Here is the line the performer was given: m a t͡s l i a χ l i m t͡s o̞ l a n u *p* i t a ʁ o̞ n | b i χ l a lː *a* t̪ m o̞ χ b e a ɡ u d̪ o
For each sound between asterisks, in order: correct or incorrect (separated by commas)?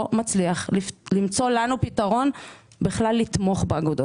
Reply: correct, incorrect